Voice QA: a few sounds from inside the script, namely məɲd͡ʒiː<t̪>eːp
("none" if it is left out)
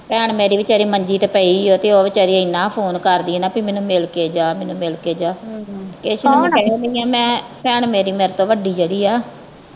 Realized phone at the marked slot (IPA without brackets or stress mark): t̪